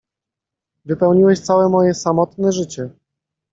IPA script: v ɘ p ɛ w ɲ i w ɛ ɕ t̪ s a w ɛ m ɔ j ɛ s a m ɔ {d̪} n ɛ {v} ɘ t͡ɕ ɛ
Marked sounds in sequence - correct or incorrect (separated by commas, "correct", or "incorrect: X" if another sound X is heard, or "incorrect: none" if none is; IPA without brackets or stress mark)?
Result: incorrect: t̪, incorrect: ʐ